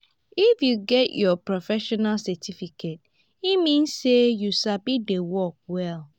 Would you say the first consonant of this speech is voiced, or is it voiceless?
voiceless